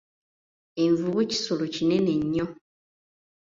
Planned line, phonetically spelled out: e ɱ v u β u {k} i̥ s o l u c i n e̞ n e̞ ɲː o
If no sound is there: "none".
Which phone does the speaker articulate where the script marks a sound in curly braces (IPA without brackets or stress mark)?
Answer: c